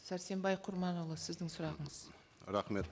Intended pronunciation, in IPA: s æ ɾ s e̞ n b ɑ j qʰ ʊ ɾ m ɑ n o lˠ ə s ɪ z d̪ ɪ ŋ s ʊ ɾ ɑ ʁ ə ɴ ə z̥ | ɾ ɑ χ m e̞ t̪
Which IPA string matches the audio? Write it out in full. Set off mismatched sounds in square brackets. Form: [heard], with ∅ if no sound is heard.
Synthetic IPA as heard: s æ ɾ s e̞ [m] b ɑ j qʰ ʊ ɾ m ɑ n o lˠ ə s ɪ z d̪ ɪ ŋ s ʊ ɾ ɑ ʁ ə ɴ ə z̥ | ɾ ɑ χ m e̞ t̪